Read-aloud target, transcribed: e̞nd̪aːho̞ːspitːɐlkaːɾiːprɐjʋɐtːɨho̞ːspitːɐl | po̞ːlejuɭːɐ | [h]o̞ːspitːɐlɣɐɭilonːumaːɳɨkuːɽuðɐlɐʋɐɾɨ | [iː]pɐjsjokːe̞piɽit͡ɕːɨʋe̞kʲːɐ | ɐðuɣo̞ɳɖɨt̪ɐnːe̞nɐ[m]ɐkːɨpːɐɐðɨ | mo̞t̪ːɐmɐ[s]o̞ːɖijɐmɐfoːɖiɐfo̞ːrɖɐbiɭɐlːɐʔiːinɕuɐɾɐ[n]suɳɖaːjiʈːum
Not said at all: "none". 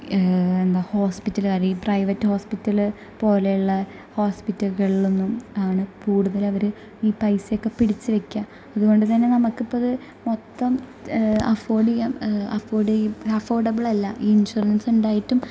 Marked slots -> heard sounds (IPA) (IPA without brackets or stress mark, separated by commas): h, iː, m, f, n